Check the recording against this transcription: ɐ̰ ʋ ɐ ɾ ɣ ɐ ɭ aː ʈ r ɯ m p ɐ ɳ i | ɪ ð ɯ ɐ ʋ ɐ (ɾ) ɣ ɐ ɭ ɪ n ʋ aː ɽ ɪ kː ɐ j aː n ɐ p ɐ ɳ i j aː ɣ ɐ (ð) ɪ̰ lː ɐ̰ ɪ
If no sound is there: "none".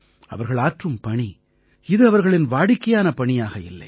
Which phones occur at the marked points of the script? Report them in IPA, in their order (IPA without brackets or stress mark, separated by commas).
ɾ, none